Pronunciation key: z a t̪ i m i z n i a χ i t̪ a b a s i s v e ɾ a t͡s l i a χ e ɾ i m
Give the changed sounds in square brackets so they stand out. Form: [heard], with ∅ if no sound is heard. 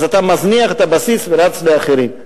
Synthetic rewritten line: z a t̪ [a] m [a] z n i a χ [e] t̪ a b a s i s v e ɾ a t͡s l [e] a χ e ɾ i m